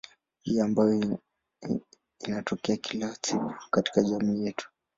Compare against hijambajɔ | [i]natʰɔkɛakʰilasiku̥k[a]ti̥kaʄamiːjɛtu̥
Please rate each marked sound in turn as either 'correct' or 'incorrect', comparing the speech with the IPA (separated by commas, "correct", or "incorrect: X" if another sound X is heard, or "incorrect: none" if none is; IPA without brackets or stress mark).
correct, correct